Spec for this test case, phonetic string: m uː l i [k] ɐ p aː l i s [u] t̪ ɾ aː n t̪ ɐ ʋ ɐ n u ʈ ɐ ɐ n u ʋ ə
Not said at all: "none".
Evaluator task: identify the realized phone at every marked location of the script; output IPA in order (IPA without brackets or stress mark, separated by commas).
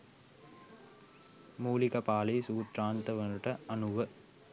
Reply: k, uː